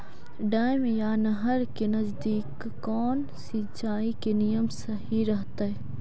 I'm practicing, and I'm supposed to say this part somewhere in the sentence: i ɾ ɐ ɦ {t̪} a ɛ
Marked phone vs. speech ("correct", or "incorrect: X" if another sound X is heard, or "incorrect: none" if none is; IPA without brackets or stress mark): correct